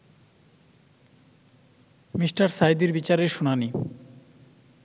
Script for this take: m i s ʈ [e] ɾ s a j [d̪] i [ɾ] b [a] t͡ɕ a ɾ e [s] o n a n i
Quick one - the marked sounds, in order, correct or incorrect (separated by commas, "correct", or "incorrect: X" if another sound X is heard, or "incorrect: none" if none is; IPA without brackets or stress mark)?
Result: incorrect: a, correct, correct, incorrect: i, incorrect: ʃ